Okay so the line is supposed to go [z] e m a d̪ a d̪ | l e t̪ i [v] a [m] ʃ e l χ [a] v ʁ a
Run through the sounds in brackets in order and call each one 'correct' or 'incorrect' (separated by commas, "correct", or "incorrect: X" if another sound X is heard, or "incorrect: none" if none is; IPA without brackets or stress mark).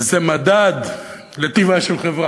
correct, correct, incorrect: none, incorrect: e